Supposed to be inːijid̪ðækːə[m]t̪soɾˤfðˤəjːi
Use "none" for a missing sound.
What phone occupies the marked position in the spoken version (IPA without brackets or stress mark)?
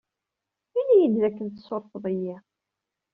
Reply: n